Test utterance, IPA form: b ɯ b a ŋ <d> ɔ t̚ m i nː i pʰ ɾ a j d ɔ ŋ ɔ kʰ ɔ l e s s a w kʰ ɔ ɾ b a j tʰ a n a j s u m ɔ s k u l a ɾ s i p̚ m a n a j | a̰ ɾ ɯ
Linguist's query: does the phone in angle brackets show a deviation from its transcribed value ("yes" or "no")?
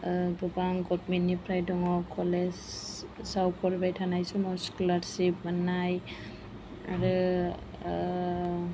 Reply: yes